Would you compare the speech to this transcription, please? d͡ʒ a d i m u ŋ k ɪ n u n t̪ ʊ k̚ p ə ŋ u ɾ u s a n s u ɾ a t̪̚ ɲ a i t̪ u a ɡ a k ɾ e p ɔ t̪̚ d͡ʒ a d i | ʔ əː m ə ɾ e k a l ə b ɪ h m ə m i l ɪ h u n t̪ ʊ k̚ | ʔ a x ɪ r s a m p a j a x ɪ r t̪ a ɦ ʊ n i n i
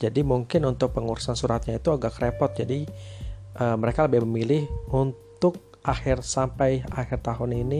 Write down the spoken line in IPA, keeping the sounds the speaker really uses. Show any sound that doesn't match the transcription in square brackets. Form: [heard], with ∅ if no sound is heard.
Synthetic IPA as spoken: d͡ʒ a d i m u ŋ k ɪ n u n t̪ ʊ k̚ p ə ŋ u ɾ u s a n s u ɾ a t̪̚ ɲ a i t̪ u a ɡ a k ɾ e p ɔ t̪̚ d͡ʒ a d i | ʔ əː m ə ɾ e k a l ə b ɪ h m ə m i l ɪ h u n t̪ ʊ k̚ | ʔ a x ɪ r s a m p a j a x ɪ r t̪ a ɦ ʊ n i n i